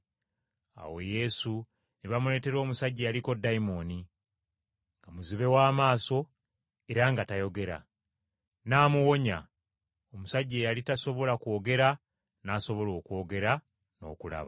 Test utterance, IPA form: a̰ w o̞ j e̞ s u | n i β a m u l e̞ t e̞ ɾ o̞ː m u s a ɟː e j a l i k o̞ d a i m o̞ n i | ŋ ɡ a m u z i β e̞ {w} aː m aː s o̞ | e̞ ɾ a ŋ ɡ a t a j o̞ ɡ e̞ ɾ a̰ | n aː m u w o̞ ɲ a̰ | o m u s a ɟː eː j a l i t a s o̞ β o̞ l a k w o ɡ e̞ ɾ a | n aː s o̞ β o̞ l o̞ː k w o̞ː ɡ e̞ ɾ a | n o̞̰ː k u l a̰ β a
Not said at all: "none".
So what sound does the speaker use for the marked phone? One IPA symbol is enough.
w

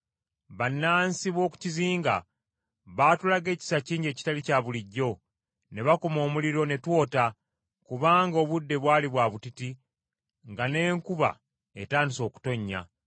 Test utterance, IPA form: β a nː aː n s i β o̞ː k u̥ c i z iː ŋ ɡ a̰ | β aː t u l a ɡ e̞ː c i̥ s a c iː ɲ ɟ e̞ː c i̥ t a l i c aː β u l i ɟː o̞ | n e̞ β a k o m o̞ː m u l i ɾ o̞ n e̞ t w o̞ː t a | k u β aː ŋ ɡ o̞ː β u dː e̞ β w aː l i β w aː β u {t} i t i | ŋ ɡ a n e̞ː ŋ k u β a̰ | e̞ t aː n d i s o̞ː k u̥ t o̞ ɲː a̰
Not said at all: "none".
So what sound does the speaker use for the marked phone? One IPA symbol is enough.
t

